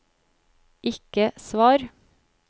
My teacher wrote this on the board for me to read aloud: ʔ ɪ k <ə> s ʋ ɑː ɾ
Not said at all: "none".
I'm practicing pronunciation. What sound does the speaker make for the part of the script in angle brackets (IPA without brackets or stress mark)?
ə